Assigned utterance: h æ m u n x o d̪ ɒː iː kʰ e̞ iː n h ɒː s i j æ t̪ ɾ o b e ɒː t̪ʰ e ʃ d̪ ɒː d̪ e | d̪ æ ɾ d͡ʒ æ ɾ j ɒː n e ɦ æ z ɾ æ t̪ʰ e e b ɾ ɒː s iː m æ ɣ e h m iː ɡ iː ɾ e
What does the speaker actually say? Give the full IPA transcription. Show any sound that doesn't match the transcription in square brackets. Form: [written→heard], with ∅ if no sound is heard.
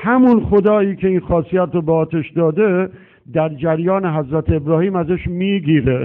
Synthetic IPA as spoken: h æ m u n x o d̪ ɒː iː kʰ e̞ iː n [h→x] ɒː s i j æ t̪ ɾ o b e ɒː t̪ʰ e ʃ d̪ ɒː d̪ e | d̪ æ ɾ d͡ʒ æ ɾ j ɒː n e ɦ æ z ɾ æ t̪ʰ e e b ɾ ɒː [s→h] iː m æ [ɣ→z] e [h→ʃ] m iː ɡ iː ɾ e